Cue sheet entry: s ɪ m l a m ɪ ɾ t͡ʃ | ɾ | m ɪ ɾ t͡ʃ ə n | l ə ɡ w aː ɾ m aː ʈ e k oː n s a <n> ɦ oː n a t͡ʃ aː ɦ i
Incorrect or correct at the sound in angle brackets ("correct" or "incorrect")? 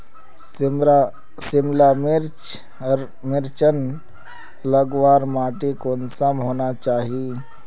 incorrect